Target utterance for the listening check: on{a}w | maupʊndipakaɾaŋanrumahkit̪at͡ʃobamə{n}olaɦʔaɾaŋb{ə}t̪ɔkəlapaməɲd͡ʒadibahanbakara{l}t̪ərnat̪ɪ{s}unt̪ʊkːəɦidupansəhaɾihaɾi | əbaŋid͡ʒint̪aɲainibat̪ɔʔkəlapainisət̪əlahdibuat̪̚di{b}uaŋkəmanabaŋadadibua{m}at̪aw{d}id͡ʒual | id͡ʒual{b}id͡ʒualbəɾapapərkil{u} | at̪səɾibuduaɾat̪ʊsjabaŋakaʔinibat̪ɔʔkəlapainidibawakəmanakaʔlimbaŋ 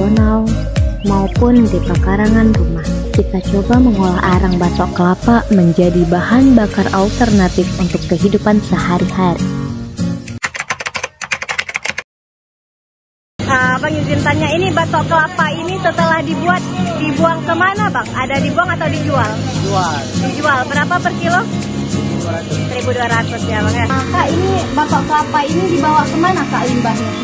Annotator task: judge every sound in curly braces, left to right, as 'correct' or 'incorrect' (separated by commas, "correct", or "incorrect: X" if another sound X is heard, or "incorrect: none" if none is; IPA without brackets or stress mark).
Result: correct, incorrect: ŋ, incorrect: a, correct, incorrect: f, correct, incorrect: ŋ, correct, incorrect: d, incorrect: o